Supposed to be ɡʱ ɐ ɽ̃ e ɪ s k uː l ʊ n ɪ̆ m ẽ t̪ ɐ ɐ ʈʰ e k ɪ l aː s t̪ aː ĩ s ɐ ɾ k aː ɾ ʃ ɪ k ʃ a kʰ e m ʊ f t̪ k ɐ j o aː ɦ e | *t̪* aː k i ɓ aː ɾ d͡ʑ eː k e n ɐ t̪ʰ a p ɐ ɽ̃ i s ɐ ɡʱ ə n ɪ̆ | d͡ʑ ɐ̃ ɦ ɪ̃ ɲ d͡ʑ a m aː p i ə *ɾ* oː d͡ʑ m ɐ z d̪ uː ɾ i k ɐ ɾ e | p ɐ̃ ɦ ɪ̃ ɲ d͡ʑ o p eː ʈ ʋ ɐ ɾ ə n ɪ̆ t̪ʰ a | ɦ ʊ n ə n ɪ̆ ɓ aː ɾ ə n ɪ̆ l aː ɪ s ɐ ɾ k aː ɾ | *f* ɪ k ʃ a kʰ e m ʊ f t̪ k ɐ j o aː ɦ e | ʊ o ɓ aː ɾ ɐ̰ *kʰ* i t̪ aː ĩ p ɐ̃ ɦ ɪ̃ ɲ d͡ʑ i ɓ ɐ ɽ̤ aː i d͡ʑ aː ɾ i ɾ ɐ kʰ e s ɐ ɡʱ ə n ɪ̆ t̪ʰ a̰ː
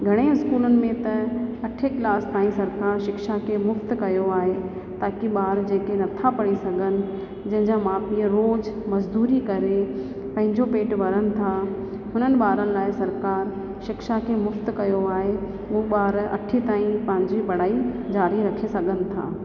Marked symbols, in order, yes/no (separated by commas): yes, yes, no, no